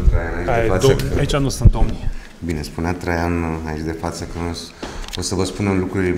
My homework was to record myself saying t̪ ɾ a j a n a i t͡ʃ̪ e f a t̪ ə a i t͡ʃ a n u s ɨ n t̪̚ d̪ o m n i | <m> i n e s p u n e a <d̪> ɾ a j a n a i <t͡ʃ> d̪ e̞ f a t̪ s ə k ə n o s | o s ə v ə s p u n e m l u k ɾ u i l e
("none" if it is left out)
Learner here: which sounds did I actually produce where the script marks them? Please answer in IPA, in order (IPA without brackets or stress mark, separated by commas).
b, t̪, t͡ʃ